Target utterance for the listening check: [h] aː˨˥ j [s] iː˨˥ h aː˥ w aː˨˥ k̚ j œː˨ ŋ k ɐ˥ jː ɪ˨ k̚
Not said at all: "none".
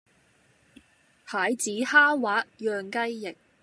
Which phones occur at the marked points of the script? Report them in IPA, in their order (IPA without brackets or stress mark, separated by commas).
h, t͡s